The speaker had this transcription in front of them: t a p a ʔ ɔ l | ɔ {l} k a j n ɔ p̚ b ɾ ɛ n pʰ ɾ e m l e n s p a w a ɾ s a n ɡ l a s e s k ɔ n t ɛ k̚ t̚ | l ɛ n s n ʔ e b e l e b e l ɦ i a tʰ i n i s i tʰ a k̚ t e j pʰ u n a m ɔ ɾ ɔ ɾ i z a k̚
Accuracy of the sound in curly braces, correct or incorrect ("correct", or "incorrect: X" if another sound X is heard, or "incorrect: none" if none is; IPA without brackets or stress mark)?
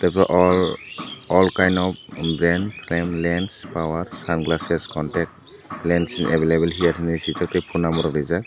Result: correct